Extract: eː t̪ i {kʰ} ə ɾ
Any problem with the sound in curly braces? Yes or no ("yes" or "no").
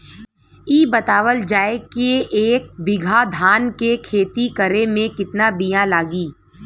yes